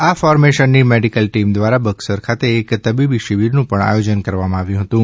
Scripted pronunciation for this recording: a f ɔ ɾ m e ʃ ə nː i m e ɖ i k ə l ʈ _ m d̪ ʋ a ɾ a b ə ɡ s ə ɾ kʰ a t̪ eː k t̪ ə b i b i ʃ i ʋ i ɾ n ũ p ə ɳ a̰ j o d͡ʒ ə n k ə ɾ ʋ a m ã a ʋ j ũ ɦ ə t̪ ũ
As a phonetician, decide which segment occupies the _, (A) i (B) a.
A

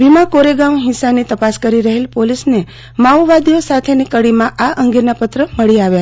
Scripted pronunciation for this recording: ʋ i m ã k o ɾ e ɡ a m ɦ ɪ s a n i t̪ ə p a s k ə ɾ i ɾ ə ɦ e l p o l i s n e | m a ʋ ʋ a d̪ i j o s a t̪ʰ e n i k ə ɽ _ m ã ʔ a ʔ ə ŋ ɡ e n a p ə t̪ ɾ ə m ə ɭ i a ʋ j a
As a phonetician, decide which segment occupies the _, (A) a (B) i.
B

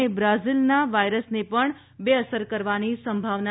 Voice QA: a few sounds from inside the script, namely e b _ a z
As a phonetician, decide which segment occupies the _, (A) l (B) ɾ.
B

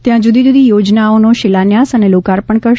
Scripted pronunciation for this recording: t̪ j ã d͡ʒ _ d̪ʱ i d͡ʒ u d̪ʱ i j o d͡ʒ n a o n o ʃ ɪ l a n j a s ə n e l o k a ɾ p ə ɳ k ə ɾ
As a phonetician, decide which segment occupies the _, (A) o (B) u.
B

